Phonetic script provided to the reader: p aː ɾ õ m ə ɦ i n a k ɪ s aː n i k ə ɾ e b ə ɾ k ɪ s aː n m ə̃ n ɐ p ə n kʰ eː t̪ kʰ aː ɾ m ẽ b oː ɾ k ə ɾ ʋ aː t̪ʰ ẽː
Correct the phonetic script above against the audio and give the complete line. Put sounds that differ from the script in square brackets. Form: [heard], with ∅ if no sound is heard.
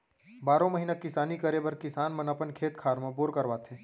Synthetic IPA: [b] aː ɾ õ m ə ɦ i n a k ɪ s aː n i k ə ɾ e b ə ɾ k ɪ s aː n m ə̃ n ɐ p ə n kʰ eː t̪ kʰ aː ɾ m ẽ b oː ɾ k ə ɾ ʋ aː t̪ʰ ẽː